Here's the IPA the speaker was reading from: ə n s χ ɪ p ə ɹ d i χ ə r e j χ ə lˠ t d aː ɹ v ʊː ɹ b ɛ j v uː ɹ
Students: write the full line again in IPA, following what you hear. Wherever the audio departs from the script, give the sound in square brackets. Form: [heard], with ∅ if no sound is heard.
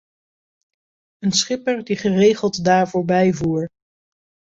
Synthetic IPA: ə n s χ ɪ p ə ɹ d i χ ə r e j χ ə lˠ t d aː ɹ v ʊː ɹ b ɛ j v uː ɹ